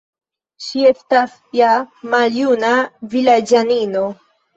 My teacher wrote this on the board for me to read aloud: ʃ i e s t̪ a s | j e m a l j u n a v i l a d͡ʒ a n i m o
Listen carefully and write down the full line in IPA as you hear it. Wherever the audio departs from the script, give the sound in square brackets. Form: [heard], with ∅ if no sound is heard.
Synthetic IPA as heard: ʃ i e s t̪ a s | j [a] m a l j u n a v i l a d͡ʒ a n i [n] o